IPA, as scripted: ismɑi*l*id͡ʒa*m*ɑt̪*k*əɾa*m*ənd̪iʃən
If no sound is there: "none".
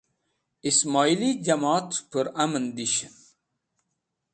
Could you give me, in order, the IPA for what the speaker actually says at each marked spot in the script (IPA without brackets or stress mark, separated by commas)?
l, m, p, m